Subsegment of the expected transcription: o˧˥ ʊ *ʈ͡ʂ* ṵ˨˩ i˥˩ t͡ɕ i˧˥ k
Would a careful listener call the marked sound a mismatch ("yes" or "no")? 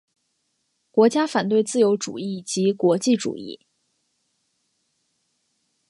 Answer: no